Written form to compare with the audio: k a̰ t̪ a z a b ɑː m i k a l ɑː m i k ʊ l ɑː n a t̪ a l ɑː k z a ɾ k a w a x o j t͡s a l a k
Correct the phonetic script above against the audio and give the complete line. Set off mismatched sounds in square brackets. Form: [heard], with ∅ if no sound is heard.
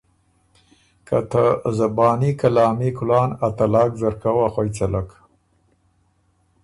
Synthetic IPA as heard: k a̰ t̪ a z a b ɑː [n] i k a l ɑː m i k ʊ l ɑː n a t̪ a l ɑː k z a ɾ k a w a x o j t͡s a l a k